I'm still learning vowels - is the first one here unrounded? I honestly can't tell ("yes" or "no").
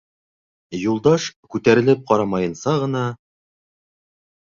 no